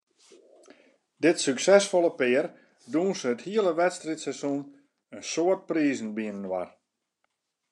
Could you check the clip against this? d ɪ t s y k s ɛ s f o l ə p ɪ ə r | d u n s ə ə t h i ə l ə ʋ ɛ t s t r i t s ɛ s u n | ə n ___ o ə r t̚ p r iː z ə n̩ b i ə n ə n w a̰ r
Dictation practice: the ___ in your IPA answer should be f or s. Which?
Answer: s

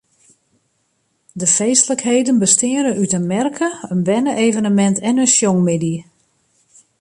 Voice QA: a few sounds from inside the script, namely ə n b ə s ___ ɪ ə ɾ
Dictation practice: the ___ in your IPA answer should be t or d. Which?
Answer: t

